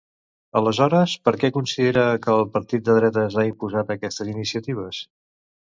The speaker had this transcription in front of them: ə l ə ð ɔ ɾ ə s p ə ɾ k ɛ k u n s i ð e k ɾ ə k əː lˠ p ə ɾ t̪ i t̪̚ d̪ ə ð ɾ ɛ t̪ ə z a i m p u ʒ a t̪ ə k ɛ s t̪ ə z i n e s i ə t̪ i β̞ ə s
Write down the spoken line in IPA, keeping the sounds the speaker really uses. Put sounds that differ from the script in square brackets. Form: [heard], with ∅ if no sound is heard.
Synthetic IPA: ə l ə [z] ɔ ɾ ə s p ə ɾ k ɛ k u n s i ð e [∅] ɾ ə k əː lˠ p ə ɾ t̪ i t̪̚ d̪ ə ð ɾ ɛ t̪ ə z a i m p u [z] a t̪ ə k ɛ s t̪ ə z i n [i] s i ə t̪ i β̞ ə s